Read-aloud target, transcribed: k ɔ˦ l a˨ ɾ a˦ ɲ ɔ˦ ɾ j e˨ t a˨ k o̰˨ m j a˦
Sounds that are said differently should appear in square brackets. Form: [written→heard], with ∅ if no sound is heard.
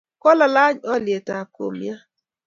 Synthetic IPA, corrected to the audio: k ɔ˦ l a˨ [ɾ→l] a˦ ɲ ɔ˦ [ɾ→l] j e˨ t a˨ k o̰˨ m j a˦